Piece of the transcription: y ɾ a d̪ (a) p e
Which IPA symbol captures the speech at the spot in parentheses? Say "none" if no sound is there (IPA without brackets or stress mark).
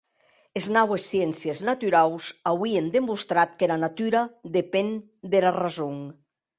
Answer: e